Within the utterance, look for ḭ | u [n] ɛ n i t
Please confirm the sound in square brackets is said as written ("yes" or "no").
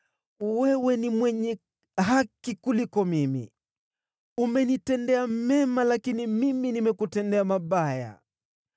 no